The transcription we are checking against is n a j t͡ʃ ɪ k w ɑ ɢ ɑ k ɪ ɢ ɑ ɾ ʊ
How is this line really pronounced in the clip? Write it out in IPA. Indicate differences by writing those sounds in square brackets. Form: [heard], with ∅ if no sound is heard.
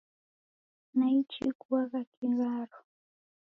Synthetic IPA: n a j t͡ʃ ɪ k w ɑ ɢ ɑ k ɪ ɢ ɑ ɾ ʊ